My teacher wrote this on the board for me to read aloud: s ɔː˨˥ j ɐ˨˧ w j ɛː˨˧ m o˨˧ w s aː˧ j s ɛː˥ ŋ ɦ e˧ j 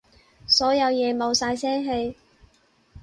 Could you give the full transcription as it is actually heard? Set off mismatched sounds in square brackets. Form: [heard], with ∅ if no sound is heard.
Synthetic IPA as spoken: s ɔː˨˥ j ɐ˨˧ w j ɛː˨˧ m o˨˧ w s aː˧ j s ɛː˥ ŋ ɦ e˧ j